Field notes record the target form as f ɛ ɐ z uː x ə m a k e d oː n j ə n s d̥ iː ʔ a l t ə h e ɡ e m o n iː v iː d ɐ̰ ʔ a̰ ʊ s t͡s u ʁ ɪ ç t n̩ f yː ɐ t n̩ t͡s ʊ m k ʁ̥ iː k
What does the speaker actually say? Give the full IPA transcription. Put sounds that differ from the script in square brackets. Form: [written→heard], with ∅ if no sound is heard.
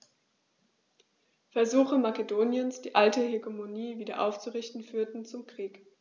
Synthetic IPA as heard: f ɛ ɐ z uː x ə m a k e d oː n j ə n s d̥ iː ʔ a l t ə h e ɡ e m o n iː v iː d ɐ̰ ʔ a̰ ʊ [s→f] t͡s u ʁ ɪ ç t n̩ f yː ɐ t n̩ t͡s ʊ m k ʁ̥ iː k